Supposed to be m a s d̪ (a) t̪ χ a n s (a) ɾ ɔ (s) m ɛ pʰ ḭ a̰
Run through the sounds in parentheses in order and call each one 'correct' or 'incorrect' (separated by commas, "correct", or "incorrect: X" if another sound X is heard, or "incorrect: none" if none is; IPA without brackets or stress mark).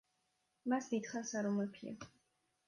incorrect: i, correct, incorrect: none